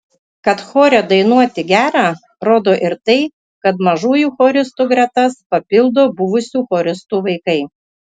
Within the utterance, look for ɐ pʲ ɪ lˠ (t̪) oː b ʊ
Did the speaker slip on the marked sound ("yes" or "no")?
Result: yes